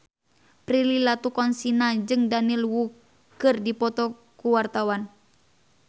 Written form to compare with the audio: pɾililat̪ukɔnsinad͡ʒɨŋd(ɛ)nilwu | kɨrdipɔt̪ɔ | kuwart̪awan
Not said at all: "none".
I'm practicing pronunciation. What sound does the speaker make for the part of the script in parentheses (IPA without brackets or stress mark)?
a